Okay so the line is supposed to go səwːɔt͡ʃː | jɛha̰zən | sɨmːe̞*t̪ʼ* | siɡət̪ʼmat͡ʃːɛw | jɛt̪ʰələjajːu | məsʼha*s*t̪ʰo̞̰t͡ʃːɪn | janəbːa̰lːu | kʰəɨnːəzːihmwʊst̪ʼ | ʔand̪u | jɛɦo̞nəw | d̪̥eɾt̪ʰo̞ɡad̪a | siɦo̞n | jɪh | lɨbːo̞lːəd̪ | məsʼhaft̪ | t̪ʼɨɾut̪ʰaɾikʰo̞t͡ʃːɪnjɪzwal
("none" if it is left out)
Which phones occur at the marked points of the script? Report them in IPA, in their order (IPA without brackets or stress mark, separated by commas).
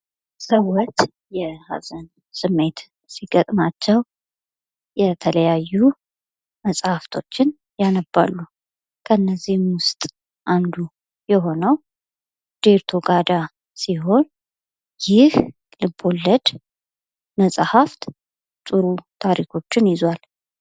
t̪, f